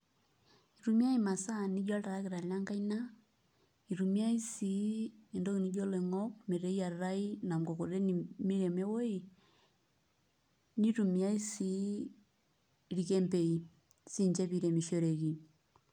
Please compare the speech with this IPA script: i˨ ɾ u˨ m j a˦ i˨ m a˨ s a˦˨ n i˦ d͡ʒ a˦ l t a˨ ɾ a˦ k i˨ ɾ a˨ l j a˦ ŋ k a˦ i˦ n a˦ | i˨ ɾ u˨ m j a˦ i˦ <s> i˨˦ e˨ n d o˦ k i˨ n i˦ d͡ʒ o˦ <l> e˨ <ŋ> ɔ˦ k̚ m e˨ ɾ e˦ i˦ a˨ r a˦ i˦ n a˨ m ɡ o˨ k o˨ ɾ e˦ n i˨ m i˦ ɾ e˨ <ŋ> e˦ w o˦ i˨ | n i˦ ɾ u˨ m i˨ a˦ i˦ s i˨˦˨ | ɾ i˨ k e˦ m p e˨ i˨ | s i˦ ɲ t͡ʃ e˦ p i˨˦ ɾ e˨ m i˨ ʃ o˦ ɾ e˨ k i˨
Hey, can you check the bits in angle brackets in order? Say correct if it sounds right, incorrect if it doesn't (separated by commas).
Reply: correct, correct, correct, incorrect